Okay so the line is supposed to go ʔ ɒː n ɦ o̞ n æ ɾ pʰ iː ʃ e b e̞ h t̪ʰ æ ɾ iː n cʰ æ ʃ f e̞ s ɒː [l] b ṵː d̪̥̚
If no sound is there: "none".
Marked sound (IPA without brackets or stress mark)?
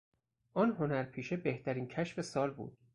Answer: l